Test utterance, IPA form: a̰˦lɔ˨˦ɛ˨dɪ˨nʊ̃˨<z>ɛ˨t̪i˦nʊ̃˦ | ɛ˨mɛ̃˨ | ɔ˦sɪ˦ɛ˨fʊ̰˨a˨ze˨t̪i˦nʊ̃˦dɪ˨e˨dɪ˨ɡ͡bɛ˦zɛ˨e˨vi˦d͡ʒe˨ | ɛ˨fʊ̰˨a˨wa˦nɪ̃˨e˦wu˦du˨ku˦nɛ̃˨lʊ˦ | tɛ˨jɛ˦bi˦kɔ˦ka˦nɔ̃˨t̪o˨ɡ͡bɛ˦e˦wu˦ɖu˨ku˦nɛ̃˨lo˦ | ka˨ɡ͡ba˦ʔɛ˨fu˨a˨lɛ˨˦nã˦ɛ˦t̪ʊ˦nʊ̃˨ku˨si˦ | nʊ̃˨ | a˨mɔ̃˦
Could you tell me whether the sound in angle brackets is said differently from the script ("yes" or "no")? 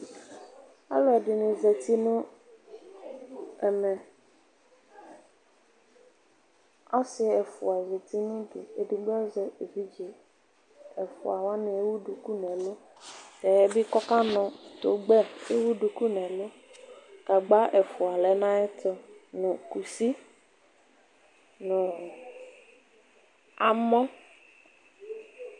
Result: no